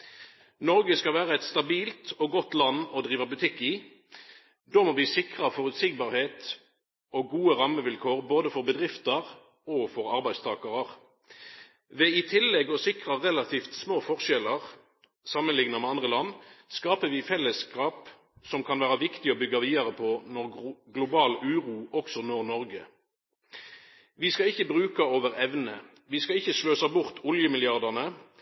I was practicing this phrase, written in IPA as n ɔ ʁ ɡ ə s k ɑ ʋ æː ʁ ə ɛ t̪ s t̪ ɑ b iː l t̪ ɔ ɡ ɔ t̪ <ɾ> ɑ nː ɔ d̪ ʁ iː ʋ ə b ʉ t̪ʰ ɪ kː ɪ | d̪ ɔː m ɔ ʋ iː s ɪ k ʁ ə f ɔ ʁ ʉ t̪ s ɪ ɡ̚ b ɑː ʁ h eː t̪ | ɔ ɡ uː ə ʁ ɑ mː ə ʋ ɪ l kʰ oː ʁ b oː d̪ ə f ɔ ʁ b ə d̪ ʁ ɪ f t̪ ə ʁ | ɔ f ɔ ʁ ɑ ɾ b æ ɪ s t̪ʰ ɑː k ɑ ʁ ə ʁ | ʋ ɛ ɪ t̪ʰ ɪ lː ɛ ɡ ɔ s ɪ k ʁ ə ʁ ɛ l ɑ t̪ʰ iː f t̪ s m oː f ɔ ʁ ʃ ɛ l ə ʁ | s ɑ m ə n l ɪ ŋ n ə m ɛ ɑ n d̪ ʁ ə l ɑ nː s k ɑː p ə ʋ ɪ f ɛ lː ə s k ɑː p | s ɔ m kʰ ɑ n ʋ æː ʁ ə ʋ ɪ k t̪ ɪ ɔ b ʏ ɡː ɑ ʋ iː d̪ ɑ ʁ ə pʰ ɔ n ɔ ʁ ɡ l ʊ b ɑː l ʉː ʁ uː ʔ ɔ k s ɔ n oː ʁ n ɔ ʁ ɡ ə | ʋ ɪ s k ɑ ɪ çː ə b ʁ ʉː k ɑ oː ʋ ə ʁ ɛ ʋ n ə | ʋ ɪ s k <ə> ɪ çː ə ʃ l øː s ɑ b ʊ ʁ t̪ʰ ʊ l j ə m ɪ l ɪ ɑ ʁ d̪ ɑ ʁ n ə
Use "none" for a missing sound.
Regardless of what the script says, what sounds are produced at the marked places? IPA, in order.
l, ɑ

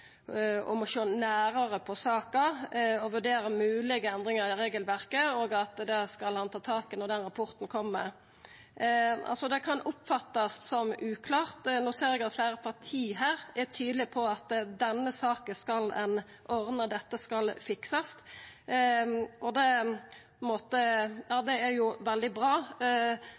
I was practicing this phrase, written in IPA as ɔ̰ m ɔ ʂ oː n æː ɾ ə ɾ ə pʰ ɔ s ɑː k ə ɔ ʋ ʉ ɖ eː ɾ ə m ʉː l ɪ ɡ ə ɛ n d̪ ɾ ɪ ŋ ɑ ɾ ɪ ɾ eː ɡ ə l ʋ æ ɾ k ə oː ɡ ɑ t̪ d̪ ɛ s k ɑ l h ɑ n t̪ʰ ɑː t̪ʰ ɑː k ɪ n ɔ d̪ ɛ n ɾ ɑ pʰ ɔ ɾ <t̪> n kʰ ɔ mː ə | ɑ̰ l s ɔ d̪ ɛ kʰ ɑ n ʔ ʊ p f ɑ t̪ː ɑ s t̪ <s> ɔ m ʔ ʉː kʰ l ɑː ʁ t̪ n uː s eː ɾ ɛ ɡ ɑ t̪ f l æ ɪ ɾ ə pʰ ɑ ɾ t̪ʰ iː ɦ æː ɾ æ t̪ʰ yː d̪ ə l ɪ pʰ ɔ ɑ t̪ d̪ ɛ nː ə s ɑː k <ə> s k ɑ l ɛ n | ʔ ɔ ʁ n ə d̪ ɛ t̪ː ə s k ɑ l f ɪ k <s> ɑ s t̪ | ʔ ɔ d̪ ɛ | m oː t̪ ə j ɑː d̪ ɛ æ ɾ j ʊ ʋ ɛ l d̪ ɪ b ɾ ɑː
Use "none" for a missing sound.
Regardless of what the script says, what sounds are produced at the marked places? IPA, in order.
t̪, s, ə, s

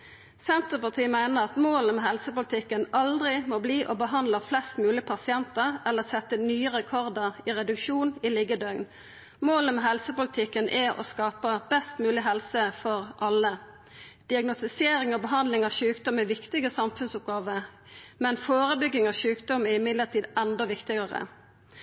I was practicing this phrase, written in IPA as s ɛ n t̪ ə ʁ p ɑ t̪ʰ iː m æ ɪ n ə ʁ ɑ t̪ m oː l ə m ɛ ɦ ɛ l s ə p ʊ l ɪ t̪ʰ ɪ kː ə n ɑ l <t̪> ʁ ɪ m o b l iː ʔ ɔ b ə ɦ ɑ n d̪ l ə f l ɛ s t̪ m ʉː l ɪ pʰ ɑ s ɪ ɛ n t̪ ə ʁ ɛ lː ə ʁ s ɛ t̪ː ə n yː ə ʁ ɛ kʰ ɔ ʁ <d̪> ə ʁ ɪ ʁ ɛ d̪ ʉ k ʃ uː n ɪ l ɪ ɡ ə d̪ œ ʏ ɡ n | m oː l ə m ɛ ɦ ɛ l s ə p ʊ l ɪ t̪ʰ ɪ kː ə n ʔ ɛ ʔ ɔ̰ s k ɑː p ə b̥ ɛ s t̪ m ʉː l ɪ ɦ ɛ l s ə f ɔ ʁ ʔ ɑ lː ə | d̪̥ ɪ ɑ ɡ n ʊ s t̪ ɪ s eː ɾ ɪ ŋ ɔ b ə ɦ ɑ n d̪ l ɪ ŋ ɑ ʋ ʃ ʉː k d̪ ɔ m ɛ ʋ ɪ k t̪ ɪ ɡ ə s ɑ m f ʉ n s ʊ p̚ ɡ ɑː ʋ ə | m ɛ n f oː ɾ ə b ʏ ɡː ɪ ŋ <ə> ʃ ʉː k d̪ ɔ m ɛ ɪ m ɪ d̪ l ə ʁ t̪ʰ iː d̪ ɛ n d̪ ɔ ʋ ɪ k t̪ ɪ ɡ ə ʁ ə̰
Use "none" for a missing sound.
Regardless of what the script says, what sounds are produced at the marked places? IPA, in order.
d̪, d̪, ɑ

